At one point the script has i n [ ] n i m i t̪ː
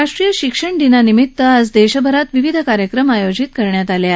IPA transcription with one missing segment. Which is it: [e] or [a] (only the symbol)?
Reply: a